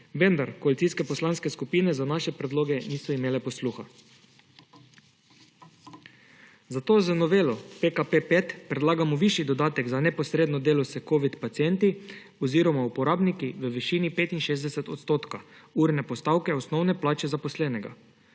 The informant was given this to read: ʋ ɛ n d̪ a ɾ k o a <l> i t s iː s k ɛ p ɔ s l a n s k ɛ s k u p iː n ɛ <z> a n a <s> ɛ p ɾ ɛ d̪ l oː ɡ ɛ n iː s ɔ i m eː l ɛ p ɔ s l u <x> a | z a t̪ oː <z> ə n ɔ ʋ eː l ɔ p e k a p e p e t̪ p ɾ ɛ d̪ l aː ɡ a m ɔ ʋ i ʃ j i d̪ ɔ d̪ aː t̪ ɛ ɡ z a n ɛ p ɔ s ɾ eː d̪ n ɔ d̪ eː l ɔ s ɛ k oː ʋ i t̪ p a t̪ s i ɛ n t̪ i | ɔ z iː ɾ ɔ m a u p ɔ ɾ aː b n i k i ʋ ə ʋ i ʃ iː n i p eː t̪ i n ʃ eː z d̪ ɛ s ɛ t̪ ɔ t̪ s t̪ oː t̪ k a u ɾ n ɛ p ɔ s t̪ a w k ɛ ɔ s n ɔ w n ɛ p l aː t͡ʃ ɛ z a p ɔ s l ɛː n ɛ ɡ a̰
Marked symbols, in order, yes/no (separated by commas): yes, yes, no, yes, yes